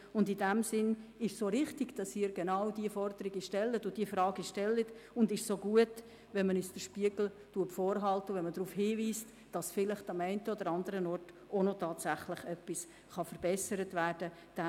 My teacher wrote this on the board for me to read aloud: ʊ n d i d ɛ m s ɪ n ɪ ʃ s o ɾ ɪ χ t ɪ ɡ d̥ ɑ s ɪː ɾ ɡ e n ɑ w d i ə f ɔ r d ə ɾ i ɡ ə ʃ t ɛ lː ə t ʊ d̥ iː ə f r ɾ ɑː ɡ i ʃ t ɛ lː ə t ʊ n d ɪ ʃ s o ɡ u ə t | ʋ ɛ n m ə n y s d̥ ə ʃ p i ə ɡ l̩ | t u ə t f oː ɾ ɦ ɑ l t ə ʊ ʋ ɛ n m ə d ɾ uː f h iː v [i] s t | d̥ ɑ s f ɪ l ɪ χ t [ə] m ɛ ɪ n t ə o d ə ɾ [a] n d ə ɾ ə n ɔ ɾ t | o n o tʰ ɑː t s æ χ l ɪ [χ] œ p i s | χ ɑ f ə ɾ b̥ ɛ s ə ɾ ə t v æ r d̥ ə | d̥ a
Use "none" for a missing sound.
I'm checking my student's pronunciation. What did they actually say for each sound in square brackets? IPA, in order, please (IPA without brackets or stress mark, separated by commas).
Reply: iː, ɑ, ɑ, χ